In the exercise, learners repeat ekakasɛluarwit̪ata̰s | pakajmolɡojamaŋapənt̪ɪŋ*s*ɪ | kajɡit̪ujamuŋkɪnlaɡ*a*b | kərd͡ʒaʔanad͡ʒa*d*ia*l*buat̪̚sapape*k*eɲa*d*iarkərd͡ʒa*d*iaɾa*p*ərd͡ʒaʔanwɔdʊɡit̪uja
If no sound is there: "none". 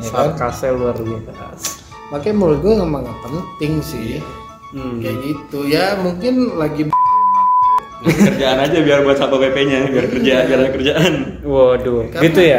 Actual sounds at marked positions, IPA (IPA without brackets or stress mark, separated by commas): s, i, b, r, p, b, b, k